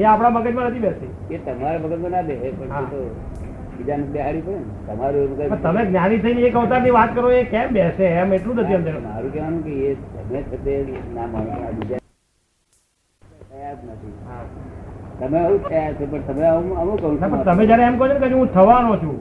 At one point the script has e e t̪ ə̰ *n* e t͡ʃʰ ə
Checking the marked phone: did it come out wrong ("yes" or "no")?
yes